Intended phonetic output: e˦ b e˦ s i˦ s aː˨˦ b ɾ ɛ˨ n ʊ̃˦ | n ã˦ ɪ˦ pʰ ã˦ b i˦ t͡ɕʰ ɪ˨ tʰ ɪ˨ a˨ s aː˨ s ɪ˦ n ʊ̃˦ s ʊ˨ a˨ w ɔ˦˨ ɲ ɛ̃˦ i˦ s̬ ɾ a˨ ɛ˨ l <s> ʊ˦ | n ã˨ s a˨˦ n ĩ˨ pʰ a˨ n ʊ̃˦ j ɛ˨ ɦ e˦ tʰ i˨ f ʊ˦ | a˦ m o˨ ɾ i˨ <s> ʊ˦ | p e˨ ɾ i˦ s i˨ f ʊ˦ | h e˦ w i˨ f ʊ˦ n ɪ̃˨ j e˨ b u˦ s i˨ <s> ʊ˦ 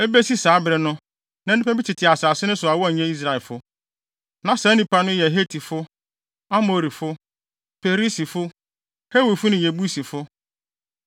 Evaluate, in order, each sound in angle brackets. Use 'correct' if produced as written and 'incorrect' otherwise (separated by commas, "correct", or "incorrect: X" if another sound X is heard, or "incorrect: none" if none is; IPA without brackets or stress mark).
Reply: incorrect: f, incorrect: f, incorrect: f